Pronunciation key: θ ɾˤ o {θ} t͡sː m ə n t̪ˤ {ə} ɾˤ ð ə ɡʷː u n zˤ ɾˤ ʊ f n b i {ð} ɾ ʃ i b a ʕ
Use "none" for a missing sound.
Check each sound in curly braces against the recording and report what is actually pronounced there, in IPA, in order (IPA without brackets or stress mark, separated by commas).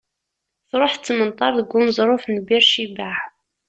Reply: ħ, ɑ, none